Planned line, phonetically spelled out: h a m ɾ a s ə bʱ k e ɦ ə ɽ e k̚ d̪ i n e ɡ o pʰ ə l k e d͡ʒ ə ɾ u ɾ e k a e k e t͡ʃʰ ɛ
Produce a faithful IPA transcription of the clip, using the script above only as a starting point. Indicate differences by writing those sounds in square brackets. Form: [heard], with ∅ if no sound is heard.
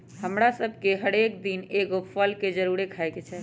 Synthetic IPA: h [ə] m ɾ a s ə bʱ k e ɦ ə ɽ e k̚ d̪ i n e ɡ o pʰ ə l k e d͡ʒ ə ɾ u ɾ e [kʰ] a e k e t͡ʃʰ ɛ

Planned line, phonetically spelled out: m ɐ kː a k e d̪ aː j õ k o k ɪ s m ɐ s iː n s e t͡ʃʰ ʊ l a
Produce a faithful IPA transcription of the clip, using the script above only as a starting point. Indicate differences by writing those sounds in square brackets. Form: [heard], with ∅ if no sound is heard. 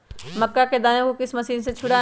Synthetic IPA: m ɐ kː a k e d̪ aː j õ k o k ɪ s m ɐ s iː n s e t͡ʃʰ ʊ [ɽ] a

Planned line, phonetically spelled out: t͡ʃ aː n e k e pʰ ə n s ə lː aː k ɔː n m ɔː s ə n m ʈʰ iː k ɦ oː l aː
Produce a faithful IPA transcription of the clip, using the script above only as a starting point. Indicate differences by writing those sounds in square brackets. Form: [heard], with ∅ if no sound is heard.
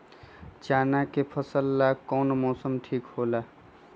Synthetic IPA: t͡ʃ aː n [a] k e pʰ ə [∅] s ə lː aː k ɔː n m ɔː s ə [∅] m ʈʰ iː k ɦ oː l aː

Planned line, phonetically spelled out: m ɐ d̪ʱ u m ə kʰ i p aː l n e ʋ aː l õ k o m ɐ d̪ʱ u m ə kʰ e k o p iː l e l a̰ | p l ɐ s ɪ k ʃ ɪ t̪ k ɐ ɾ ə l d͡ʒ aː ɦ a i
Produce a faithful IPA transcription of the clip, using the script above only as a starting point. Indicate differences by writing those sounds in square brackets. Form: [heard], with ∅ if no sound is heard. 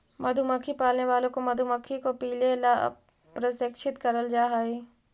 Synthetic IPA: m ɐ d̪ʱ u m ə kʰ i p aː l n e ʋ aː l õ k o m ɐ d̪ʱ u m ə kʰ [i] k o p iː l e l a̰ | p [ɾ] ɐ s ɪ k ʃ ɪ t̪ k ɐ ɾ ə l d͡ʒ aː ɦ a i

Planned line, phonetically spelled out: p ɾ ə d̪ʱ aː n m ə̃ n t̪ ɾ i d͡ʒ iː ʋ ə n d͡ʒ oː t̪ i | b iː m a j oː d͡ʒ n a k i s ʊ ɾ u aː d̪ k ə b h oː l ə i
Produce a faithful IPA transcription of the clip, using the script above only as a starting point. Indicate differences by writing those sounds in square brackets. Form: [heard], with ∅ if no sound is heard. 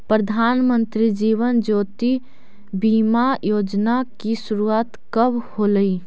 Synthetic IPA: p ɾ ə d̪ʱ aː n m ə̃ n t̪ ɾ i d͡ʒ iː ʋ ə n d͡ʒ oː t̪ i | b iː m a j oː d͡ʒ n a k i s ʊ ɾ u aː [t̪] k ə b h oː l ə i

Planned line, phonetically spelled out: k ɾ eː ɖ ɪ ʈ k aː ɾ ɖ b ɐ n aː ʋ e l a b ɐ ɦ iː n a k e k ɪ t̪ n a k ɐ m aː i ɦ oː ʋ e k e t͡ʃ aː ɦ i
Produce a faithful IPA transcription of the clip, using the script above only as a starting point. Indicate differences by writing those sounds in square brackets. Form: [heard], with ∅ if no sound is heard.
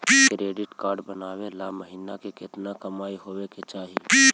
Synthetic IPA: k ɾ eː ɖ ɪ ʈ k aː ɾ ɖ b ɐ n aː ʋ e l a [m] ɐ ɦ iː n a k e k ɪ t̪ n a k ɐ m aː i ɦ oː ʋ e k e t͡ʃ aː ɦ i

